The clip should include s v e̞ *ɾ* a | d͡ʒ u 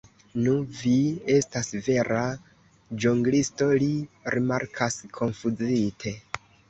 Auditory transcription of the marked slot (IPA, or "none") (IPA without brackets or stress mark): ɾ